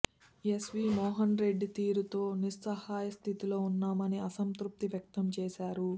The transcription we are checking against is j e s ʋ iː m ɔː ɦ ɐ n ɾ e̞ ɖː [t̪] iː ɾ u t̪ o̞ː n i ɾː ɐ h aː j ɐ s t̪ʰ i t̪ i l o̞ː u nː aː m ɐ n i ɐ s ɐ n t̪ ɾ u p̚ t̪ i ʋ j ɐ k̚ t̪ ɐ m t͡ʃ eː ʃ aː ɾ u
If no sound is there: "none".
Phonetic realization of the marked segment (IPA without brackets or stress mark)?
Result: t̪